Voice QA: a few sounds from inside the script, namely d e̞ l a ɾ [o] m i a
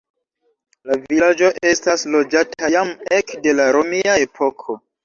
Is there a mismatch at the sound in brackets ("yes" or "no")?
no